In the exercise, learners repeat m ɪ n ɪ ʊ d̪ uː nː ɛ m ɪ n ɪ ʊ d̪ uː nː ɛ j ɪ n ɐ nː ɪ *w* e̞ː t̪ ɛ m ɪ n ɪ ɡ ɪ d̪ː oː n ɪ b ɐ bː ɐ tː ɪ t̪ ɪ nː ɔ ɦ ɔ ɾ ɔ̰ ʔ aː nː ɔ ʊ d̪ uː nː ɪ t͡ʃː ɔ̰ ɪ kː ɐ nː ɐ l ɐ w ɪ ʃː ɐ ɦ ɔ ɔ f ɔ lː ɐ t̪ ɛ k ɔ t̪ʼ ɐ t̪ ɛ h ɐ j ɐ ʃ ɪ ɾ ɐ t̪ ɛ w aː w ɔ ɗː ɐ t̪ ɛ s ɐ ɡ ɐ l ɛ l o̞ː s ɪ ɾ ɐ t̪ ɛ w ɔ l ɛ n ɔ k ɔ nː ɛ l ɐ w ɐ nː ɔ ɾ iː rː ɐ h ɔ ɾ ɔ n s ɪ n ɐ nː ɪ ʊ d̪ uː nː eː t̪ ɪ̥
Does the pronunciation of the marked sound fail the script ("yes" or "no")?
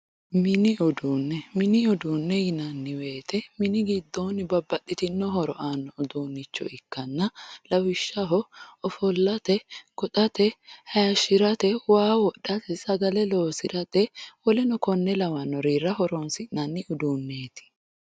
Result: no